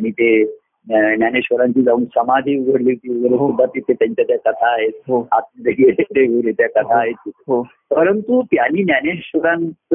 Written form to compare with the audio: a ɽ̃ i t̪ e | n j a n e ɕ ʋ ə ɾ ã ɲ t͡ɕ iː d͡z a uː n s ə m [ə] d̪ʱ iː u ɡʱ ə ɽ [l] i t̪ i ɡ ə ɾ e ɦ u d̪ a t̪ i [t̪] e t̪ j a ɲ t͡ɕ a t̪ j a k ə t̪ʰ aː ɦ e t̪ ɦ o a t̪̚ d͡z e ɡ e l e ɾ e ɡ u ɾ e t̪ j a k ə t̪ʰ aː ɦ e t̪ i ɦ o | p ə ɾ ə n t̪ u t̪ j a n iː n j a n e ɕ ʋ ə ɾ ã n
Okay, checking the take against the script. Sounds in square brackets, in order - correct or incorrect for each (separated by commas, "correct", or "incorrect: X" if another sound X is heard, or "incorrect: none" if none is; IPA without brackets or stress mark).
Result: incorrect: a, correct, correct